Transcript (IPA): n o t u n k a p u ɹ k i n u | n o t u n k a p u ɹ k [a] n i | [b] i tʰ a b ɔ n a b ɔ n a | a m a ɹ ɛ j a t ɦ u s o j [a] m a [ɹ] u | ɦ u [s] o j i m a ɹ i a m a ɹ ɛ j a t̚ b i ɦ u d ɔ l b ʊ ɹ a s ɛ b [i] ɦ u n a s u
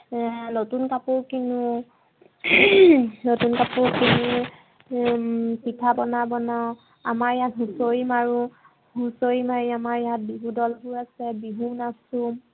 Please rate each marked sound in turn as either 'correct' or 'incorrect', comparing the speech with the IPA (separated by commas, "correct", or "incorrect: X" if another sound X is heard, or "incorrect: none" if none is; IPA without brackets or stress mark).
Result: incorrect: i, incorrect: p, incorrect: i, correct, correct, correct